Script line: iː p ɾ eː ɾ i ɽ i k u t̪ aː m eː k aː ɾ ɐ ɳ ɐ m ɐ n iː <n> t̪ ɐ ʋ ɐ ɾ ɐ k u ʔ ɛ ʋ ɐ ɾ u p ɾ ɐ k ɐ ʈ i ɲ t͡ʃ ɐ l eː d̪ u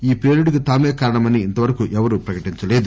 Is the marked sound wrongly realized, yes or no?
no